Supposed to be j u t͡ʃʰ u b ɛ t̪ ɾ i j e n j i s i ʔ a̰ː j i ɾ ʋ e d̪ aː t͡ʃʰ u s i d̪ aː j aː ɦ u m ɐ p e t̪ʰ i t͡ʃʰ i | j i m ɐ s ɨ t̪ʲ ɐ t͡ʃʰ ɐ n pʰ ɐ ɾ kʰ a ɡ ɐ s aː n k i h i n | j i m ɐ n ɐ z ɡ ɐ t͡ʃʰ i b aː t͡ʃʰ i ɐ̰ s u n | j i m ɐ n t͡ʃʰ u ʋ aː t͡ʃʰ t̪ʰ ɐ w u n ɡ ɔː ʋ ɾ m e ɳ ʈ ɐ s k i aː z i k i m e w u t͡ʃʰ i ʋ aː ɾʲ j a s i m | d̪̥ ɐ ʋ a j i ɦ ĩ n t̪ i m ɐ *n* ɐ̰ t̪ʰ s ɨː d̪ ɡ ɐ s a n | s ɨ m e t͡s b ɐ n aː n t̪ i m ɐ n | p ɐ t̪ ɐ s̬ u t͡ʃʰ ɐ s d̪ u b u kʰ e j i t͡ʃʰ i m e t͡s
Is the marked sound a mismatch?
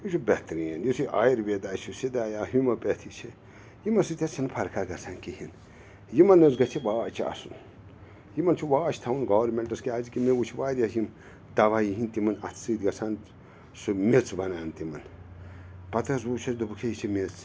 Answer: no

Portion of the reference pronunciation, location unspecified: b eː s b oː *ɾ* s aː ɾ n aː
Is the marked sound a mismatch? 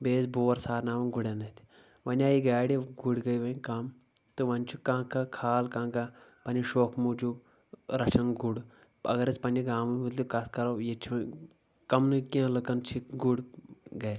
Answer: no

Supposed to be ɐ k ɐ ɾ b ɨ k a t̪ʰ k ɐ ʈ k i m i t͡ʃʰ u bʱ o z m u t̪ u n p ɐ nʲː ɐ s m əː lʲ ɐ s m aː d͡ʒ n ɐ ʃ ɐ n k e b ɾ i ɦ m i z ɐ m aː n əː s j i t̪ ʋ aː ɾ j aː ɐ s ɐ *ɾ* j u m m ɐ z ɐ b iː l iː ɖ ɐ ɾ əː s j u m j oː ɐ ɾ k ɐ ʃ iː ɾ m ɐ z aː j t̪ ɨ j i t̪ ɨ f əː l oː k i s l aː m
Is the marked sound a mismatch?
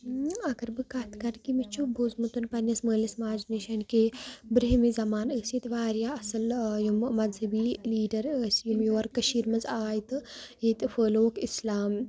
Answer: yes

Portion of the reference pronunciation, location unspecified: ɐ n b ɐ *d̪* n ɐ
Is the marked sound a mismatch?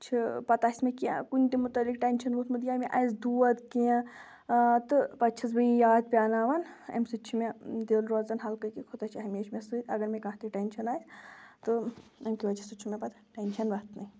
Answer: yes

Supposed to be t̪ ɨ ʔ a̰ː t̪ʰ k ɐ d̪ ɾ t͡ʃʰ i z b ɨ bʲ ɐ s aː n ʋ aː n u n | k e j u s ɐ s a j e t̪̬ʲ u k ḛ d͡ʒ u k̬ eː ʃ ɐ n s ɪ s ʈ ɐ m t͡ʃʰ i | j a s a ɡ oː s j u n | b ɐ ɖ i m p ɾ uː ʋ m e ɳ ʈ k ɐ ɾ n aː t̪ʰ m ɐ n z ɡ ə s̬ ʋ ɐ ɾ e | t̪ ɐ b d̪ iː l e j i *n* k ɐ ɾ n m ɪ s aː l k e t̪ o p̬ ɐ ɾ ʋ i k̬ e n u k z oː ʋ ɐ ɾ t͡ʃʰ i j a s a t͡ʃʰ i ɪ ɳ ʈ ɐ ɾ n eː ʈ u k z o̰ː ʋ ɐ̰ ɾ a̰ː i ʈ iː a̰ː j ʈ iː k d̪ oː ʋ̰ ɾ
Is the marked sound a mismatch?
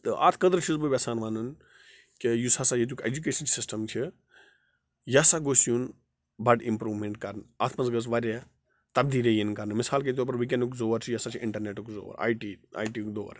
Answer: no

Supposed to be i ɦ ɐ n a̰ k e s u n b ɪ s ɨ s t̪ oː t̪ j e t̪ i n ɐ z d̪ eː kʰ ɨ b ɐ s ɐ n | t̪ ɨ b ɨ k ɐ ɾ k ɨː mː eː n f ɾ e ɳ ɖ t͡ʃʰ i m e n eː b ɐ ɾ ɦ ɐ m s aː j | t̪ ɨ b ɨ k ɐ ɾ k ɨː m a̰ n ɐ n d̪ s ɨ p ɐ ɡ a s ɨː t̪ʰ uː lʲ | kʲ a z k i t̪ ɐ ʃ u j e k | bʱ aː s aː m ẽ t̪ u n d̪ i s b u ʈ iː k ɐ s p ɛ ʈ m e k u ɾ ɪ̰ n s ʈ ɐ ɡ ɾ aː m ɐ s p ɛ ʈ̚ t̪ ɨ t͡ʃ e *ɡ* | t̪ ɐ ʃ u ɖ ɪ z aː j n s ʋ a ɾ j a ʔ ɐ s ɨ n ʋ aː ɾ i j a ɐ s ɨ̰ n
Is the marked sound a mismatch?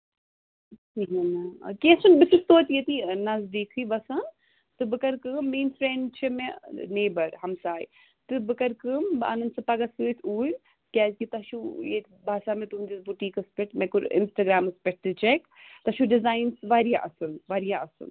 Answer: yes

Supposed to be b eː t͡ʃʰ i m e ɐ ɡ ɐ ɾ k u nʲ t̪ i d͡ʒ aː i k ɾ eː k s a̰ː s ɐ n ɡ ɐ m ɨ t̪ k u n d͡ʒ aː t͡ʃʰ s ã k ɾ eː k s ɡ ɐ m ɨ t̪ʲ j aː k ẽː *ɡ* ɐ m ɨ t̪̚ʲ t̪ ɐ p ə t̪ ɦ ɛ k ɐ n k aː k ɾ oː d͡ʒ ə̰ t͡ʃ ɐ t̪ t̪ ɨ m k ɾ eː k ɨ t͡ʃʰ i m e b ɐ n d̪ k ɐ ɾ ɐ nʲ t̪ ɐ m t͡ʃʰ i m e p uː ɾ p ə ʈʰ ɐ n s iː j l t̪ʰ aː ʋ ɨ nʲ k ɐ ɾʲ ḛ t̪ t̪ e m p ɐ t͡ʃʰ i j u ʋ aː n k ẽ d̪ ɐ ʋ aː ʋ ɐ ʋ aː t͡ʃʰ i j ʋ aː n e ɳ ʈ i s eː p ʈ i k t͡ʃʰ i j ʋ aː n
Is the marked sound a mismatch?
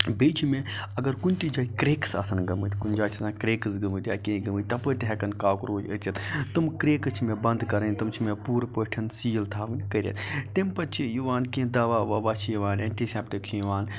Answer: no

